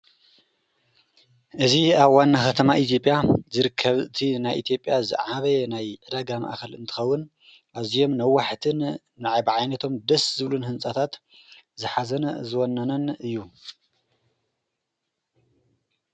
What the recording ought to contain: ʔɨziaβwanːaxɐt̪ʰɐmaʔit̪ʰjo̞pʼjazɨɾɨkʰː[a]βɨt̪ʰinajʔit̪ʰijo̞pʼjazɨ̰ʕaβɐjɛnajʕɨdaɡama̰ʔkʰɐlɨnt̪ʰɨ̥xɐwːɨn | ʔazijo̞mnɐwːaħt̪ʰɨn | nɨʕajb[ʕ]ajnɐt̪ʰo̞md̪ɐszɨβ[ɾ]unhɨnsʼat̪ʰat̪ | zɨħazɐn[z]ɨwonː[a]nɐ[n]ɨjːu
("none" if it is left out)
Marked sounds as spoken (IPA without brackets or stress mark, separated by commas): ɐ, ʕ, l, z, ɐ, n